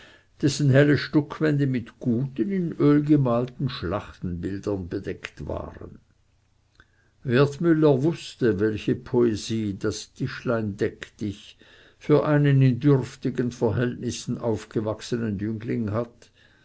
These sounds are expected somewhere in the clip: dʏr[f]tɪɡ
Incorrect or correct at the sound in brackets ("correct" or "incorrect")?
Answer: correct